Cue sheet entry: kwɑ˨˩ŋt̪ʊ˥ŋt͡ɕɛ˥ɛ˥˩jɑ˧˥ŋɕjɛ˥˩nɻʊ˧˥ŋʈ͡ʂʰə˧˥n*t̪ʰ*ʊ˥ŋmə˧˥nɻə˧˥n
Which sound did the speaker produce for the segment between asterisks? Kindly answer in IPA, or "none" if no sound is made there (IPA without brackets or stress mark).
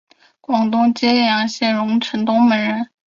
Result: t̪